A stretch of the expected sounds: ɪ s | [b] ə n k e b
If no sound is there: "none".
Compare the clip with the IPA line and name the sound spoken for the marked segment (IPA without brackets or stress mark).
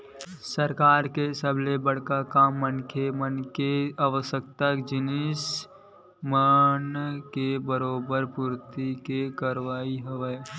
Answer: m